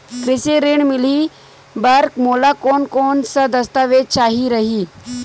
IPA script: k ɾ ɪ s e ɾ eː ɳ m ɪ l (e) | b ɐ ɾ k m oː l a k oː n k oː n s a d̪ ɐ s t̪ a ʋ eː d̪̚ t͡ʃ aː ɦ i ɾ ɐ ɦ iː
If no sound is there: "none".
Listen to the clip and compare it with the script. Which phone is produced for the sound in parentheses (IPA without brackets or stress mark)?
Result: i